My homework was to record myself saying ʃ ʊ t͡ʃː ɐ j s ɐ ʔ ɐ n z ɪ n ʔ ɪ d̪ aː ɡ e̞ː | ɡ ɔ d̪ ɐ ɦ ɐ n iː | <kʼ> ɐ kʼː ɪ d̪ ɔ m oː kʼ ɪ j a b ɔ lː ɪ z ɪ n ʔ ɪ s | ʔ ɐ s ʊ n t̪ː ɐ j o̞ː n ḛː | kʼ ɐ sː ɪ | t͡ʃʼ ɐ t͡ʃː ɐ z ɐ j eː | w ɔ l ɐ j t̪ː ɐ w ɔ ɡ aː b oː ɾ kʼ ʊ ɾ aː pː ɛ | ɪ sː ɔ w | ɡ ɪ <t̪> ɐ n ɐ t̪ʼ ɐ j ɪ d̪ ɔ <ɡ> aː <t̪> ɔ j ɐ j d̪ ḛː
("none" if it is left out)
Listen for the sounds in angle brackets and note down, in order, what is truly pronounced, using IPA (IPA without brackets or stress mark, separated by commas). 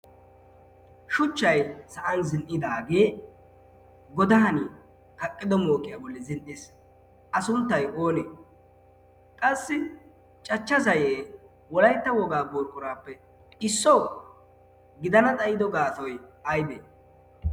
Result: k, d̪, ɡ, t̪